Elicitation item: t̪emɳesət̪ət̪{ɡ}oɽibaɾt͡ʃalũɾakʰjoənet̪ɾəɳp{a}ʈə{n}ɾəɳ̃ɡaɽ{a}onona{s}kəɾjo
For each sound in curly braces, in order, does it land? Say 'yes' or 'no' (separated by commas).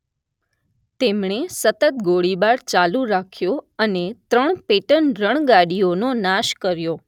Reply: yes, no, yes, no, no